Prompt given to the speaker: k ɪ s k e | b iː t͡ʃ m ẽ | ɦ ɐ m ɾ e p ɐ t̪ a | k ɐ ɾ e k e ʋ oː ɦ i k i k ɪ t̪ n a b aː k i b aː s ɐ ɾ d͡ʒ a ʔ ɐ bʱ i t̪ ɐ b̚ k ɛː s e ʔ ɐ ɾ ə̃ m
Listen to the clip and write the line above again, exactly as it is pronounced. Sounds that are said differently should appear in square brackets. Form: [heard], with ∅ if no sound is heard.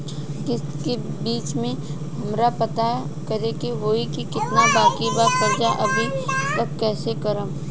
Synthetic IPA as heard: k ɪ s k e | b iː t͡ʃ m ẽ | ɦ ɐ m ɾ [a] p ɐ t̪ a | k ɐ ɾ e k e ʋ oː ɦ i k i k ɪ t̪ n a b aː k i b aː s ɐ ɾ d͡ʒ a ʔ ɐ bʱ i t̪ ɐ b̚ k ɛː s e [k] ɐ ɾ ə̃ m

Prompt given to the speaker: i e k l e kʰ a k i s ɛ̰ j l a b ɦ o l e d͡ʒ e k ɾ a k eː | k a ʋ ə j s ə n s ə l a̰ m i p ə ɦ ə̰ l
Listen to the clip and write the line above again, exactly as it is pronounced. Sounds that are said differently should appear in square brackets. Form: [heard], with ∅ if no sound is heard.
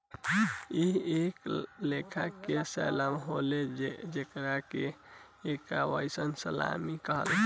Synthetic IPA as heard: i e k l e kʰ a k [e] s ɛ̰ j l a [m] ɦ o l e d͡ʒ e k ɾ a k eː | k a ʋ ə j s ə n s ə l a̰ m i [k] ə ɦ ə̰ l

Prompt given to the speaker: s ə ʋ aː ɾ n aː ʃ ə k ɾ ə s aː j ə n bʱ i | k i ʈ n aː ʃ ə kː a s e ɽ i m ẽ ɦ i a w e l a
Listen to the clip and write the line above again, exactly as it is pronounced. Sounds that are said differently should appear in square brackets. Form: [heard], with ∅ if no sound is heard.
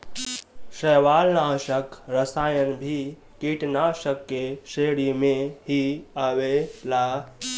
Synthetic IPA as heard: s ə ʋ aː [l] n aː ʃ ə k ɾ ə s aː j ə n bʱ i | k i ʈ n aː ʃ ə kː [e] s e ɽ i m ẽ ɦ i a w e l a

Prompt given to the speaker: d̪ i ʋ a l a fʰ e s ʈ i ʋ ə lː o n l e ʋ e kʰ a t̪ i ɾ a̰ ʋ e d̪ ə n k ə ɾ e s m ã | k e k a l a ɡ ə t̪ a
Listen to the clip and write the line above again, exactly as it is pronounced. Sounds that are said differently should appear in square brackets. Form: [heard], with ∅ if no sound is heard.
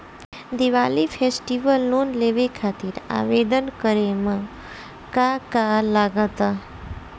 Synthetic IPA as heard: d̪ i ʋ a l [i] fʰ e s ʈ i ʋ ə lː o n l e ʋ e kʰ a t̪ i ɾ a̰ ʋ e d̪ ə n k ə ɾ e [∅] m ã | k [a] k a l a ɡ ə t̪ a

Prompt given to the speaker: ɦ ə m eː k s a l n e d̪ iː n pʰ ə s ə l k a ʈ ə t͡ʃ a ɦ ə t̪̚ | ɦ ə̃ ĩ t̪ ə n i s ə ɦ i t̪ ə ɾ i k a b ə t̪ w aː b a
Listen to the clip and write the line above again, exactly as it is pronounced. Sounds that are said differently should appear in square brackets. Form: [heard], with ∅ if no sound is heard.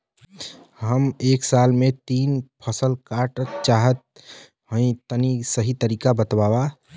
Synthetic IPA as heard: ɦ ə m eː k s a l [m] e [t̪] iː n pʰ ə s ə l k a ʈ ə t͡ʃ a ɦ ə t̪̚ | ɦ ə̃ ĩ t̪ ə n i s ə ɦ i t̪ ə ɾ i k a b ə t̪ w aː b a

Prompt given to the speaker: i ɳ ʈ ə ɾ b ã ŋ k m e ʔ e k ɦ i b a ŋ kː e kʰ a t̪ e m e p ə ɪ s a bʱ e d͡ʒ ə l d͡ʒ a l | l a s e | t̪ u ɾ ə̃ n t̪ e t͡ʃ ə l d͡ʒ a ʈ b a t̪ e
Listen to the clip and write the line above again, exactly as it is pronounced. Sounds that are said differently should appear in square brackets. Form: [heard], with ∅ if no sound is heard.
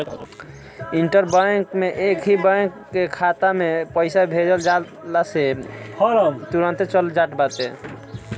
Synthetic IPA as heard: i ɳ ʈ ə ɾ b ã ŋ k m e ʔ e k ɦ i b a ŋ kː e kʰ a t̪ [a] m e p ə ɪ s a bʱ e d͡ʒ ə l d͡ʒ a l | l a s e | t̪ u ɾ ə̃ n t̪ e t͡ʃ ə l d͡ʒ a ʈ b a t̪ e

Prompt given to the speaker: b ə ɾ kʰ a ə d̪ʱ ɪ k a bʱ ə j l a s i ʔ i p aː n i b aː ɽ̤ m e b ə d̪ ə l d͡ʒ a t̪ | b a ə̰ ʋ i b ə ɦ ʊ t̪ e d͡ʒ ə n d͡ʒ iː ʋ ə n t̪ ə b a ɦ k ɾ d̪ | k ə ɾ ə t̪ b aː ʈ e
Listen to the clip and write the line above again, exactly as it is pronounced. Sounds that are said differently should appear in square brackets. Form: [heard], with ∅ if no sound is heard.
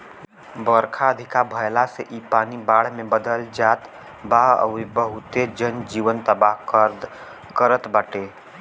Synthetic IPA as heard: b ə ɾ kʰ a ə d̪ʱ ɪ k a bʱ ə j l a s [e] ʔ i p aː n i b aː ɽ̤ m e b ə d̪ ə l d͡ʒ a t̪ | b a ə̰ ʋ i b ə ɦ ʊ t̪ e d͡ʒ ə n d͡ʒ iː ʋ ə n t̪ ə b a ɦ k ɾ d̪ | k ə ɾ ə t̪ b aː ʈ e

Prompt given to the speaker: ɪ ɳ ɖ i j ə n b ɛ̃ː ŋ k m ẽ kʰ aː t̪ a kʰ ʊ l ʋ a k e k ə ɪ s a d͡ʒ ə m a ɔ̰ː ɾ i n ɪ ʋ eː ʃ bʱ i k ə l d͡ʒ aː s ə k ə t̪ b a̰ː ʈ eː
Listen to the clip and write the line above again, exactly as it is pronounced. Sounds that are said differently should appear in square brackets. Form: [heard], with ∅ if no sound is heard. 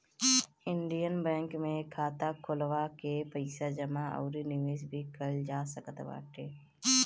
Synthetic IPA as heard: ɪ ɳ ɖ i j ə n b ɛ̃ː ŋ k m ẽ kʰ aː t̪ a kʰ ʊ l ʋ a k e [p] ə ɪ s a d͡ʒ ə m a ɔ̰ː ɾ i n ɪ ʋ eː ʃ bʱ i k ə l d͡ʒ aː s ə k ə t̪ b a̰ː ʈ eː

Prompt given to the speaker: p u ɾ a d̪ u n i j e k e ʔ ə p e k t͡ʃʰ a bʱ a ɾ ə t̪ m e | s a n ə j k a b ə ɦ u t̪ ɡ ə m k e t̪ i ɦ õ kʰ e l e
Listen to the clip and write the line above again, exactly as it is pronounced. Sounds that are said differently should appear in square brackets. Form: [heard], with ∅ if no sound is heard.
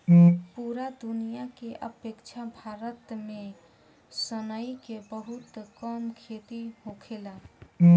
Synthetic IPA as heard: p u ɾ a d̪ u n i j [a] k e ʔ ə p e k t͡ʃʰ a bʱ a ɾ ə t̪ m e | s [ə] n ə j k [e] b ə ɦ u t̪ [k] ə m [kʰ] e t̪ i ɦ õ kʰ e l [a]

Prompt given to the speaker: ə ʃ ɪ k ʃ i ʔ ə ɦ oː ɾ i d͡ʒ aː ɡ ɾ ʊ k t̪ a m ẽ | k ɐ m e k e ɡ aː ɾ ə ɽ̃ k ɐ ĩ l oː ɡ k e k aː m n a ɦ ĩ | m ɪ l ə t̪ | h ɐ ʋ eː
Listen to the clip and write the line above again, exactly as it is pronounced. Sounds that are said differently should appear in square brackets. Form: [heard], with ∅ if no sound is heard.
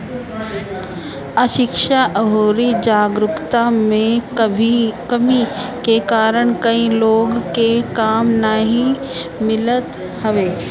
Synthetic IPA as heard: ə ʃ ɪ k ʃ [a] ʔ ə ɦ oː ɾ i d͡ʒ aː ɡ ɾ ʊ k t̪ a m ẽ | k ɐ m [i] k e [k] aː ɾ ə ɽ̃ k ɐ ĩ l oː ɡ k e k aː m n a ɦ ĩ | m ɪ l ə t̪ | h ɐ ʋ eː

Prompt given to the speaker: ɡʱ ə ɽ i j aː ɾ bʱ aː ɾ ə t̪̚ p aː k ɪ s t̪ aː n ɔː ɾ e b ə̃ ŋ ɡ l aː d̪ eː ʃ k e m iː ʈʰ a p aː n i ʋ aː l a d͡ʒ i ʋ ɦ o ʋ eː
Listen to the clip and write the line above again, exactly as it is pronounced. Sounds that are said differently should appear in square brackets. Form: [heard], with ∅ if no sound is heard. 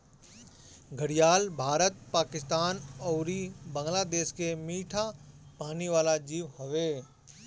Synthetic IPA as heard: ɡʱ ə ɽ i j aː [l] bʱ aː ɾ ə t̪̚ p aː k ɪ s t̪ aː n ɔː ɾ [i] b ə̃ ŋ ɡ l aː d̪ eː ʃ k e m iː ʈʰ a p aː n i ʋ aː l a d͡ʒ [iː] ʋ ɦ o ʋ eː

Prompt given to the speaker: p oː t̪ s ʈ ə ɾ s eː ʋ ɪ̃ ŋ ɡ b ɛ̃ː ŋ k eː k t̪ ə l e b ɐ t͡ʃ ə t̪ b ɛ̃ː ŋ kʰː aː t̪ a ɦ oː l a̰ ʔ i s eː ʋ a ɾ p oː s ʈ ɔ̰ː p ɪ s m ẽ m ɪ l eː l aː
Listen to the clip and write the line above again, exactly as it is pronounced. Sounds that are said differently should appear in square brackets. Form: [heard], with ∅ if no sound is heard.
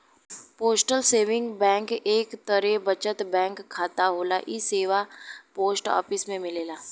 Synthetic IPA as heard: p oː [∅] s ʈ ə [l] s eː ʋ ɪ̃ ŋ ɡ b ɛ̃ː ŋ k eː k t̪ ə [ɾ] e b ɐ t͡ʃ ə t̪ b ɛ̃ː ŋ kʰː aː t̪ a ɦ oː l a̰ ʔ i s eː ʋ a [∅] p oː s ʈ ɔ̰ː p ɪ s m ẽ m ɪ l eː l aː

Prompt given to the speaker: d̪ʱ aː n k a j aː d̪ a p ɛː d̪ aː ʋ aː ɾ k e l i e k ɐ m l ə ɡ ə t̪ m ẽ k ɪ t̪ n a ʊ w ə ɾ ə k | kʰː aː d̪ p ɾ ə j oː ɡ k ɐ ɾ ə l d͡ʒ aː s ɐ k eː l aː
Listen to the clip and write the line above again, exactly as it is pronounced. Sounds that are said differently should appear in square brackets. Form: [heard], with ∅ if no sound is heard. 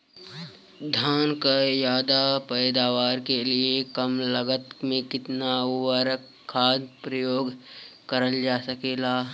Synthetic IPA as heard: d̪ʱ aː n k a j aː d̪ a p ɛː d̪ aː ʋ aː ɾ k e l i e k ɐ m l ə ɡ ə t̪ m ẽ k ɪ t̪ n a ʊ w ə ɾ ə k | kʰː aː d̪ p ɾ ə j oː ɡ k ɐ ɾ ə l d͡ʒ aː s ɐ k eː l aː

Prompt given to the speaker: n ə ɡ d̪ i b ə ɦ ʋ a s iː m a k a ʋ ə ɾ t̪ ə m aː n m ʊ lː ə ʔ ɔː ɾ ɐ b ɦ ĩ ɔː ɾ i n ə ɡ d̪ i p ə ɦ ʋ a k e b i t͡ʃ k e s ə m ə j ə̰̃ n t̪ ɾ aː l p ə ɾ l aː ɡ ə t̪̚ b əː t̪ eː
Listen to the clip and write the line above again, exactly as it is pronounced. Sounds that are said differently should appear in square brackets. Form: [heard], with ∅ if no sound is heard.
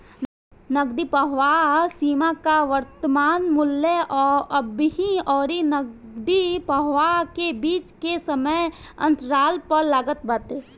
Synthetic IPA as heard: n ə ɡ d̪ i [p] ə ɦ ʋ a s iː m a k a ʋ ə ɾ t̪ ə m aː n m ʊ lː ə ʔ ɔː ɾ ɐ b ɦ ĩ ɔː ɾ i n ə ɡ d̪ i p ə ɦ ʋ a k e b [iː] t͡ʃ k e s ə m ə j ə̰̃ n t̪ ɾ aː l p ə ɾ l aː ɡ ə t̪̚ b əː t̪ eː

